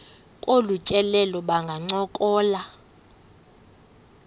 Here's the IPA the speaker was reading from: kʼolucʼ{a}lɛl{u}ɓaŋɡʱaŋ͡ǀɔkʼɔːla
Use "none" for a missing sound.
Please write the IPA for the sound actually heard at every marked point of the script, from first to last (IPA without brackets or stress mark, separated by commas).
ɛ, ɔ